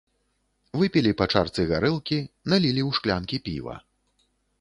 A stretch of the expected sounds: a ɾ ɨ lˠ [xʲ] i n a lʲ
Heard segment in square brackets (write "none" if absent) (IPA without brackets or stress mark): kʲ